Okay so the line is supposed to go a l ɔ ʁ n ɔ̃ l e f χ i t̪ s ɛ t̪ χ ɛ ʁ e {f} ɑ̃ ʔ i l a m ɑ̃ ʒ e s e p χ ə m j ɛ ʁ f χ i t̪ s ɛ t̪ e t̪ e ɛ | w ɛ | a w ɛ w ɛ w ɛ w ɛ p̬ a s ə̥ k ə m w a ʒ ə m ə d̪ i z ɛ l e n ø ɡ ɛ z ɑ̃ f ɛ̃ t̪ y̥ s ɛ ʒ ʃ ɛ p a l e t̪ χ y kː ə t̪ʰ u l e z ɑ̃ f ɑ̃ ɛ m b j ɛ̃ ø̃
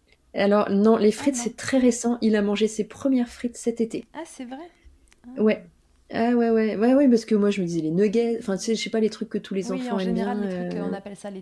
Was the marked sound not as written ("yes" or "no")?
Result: yes